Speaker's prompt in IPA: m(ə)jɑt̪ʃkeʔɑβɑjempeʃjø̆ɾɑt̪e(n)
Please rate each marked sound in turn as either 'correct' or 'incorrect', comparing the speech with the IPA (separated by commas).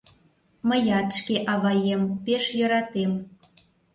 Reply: correct, incorrect